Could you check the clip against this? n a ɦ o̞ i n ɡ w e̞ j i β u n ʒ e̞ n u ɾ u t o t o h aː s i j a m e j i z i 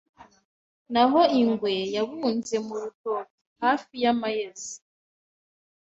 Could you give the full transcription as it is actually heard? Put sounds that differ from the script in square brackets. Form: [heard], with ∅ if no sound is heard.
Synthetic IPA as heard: n a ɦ o̞ i [ŋ] ɡ w e̞ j [a] β u n [z] e̞ [m] u ɾ u t o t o h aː [f] i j a m [a] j [e] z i